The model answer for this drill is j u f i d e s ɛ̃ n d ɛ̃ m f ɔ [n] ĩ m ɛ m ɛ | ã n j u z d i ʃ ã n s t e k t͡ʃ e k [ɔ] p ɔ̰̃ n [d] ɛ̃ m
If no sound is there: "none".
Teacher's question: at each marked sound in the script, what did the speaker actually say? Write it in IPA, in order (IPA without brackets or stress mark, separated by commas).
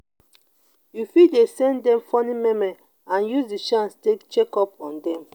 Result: n, ɔ, d